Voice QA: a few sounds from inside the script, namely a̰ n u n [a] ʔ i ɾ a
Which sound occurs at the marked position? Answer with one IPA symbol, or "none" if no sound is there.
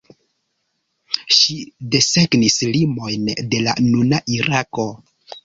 a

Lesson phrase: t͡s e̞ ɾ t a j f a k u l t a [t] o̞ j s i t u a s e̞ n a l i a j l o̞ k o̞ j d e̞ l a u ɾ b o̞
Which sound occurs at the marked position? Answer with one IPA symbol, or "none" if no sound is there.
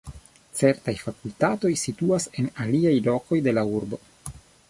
t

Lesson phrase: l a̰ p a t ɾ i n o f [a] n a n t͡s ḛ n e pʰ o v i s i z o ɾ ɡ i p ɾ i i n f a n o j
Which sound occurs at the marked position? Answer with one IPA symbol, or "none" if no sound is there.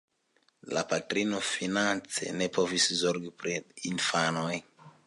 i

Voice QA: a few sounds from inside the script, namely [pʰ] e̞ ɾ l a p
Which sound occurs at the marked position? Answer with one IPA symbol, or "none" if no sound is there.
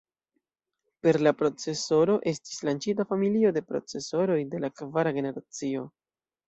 p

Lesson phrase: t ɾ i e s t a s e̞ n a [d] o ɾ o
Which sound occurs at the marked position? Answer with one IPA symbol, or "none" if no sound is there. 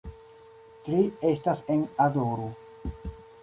d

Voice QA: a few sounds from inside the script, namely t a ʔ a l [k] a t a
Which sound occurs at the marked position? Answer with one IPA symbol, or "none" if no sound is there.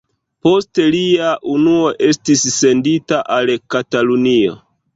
k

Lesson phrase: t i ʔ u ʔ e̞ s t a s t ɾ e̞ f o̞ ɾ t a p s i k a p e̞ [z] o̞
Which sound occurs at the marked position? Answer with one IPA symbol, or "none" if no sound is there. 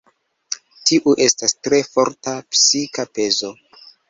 z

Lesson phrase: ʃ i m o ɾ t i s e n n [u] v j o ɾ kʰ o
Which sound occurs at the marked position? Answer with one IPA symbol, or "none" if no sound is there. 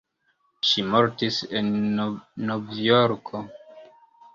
o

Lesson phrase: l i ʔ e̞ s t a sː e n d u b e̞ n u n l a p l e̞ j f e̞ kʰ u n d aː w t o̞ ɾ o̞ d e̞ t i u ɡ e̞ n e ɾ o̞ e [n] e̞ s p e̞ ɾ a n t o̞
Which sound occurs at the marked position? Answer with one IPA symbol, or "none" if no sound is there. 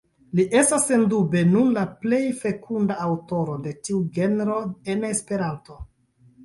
n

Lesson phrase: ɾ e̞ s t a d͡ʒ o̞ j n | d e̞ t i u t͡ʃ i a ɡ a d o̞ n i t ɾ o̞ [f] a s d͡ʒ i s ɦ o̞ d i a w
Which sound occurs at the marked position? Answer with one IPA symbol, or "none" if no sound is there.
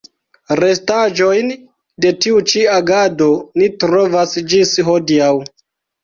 v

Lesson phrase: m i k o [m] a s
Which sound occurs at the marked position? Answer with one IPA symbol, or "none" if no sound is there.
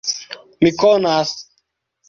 n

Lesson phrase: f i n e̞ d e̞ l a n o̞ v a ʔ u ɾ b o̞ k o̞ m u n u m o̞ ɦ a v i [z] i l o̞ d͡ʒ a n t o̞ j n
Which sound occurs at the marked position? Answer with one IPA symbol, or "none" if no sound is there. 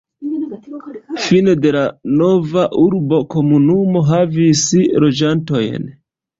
s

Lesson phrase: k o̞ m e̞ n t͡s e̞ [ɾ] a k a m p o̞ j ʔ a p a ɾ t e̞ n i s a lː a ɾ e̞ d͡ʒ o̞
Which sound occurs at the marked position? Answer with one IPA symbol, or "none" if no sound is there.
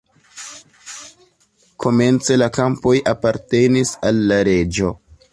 l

